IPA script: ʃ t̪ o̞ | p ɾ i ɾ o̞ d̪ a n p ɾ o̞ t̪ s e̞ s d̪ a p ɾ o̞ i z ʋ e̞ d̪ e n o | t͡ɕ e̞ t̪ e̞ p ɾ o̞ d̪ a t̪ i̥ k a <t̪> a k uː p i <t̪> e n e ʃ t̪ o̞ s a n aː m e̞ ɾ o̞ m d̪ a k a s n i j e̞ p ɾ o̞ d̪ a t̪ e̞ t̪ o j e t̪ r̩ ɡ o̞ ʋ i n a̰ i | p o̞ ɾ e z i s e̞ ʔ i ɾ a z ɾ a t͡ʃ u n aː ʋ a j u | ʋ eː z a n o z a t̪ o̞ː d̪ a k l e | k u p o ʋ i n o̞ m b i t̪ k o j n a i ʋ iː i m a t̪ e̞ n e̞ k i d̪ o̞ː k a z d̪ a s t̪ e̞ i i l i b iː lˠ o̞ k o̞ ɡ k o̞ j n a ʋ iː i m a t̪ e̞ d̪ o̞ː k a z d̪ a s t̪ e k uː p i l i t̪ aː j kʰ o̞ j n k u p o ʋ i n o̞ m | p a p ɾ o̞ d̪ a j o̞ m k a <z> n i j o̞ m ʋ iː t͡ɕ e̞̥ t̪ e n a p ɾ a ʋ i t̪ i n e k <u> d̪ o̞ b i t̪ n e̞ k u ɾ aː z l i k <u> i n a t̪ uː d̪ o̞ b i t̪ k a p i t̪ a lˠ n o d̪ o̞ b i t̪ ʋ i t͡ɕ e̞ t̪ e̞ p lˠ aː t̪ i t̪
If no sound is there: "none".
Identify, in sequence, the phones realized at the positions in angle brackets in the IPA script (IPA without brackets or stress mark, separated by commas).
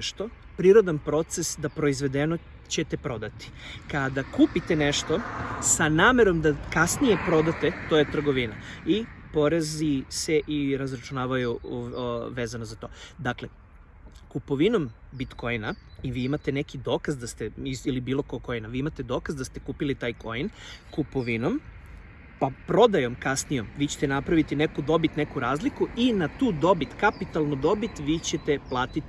d̪, t̪, s, u, u